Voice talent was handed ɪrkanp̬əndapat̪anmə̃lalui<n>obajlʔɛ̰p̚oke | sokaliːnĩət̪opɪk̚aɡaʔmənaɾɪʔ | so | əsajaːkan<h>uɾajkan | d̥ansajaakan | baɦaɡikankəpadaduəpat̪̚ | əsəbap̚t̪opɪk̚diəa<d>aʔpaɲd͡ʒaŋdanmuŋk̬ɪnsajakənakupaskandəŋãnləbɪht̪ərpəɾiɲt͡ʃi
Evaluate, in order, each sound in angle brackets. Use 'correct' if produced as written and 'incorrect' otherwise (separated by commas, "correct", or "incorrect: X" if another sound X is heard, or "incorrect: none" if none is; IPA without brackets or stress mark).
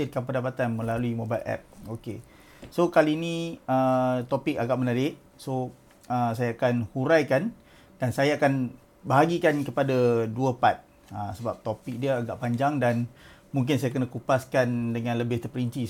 incorrect: m, correct, incorrect: ɡ